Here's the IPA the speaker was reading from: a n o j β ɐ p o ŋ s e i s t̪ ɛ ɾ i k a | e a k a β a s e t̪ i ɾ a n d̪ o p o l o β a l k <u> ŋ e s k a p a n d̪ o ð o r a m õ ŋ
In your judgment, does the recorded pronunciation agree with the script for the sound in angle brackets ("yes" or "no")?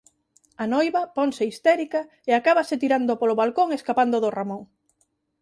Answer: no